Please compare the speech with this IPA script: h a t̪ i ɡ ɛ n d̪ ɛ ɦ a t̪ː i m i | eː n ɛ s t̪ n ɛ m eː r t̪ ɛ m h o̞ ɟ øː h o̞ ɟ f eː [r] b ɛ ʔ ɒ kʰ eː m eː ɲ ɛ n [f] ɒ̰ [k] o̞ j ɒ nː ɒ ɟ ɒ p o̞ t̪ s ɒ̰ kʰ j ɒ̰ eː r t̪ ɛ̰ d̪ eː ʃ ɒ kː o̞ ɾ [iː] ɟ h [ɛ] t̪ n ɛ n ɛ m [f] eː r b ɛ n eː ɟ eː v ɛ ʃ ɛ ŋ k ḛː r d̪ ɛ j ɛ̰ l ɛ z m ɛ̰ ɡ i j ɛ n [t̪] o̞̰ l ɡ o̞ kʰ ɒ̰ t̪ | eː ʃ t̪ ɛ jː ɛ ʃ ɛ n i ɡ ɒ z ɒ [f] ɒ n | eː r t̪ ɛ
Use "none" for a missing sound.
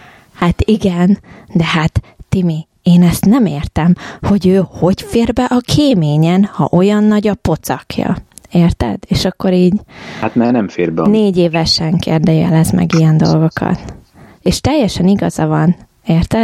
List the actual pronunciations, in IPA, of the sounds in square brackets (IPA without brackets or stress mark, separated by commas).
r, h, ʔ, iː, a, f, d̪, v